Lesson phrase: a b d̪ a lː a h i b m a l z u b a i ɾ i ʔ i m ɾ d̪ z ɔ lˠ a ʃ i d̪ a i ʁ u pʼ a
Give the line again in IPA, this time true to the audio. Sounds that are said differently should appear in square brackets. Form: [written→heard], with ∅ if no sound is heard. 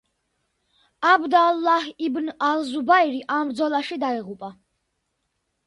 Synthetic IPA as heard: a b d̪ a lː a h i b [m→n] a l z u b a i ɾ i ʔ [i→a] m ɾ d̪ z ɔ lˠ a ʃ i d̪ a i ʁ u pʼ a